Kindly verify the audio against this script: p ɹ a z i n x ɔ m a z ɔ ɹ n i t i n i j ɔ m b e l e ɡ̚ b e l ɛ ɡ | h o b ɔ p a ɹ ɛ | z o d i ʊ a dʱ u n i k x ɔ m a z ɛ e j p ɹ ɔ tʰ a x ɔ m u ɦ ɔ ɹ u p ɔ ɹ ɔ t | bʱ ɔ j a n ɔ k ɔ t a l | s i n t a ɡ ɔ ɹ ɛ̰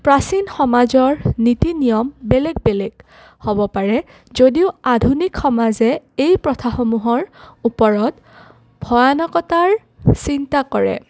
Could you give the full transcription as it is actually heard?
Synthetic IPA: p ɹ a s i n x ɔ m a z ɔ ɹ n i t i n i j ɔ m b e l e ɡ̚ b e l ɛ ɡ | h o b ɔ p a ɹ ɛ | z o d i ʊ a dʱ u n i k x ɔ m a z ɛ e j p ɹ ɔ tʰ a x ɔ m u ɦ ɔ ɹ u p ɔ ɹ ɔ t | bʱ ɔ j a n ɔ k ɔ t a ɹ | s i n t a k ɔ ɹ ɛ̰

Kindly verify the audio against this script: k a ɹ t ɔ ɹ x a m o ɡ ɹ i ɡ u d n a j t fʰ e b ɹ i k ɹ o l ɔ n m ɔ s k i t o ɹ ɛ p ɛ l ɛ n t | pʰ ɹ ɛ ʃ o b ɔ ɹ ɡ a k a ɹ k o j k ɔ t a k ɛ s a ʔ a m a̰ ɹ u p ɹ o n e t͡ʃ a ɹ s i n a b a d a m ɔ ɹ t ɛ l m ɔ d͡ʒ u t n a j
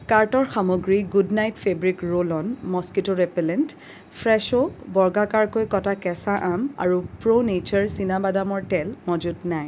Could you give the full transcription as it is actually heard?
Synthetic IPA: k a ɹ t ɔ ɹ x a m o ɡ ɹ i ɡ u d n a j t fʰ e b ɹ i k ɹ o l ɔ n m ɔ s k i t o ɹ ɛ p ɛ l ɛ n t | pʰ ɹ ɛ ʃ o b ɔ ɹ ɡ a k a ɹ k o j k ɔ t a k ɛ s a ʔ a m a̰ ɹ u p ɹ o n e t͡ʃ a ɹ s i n a b a d a m ɔ ɹ t ɛ l m ɔ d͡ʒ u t n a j

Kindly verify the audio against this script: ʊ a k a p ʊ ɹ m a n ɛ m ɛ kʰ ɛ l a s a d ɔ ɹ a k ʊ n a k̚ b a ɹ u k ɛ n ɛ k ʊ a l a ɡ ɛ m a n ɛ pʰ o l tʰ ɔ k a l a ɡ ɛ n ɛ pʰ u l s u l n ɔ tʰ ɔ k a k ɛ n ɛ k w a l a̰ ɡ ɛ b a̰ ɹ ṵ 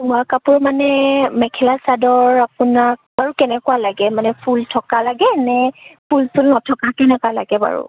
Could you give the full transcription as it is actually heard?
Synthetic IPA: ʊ a k a p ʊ ɹ m a n ɛ m ɛ kʰ ɛ l a s a d ɔ ɹ a p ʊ n a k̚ b a ɹ u k ɛ n ɛ k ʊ a l a ɡ ɛ m a n ɛ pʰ u l tʰ ɔ k a l a ɡ ɛ n ɛ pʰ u l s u l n ɔ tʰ ɔ k a k ɛ n ɛ k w a l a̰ ɡ ɛ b a̰ ɹ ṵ

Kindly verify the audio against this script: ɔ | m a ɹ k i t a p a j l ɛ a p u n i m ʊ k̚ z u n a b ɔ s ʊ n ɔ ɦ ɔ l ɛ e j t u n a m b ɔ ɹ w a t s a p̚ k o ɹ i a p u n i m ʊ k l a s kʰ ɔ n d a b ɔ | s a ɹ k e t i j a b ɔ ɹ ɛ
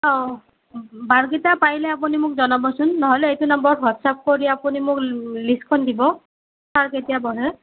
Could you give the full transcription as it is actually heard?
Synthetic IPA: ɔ | b a ɹ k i t a p a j l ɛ a p u n i m ʊ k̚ z ɔ n a b ɔ s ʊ nː ɔ ɦ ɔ l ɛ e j t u n a m b ɔ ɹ w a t s a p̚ k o ɹ i a p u n i m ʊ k l i s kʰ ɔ n d i b ɔ | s a ɹ k e t i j a b ɔ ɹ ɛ

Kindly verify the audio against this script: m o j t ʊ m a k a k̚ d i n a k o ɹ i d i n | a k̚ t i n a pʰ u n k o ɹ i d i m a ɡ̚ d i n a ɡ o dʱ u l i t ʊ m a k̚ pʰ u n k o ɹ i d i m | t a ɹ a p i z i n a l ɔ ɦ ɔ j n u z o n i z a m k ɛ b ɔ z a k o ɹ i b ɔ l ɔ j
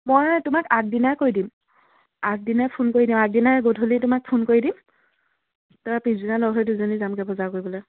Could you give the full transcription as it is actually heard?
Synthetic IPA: m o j t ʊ m a k a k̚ d i n a k o ɹ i d i m | a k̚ d i n a pʰ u n k o ɹ i d i m a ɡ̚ d i n a ɡ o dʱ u l i t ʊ m a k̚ pʰ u n k o ɹ i d i m | t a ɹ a p i z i n a l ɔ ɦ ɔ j d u z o n i z a m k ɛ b ɔ z a k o ɹ i b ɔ l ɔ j

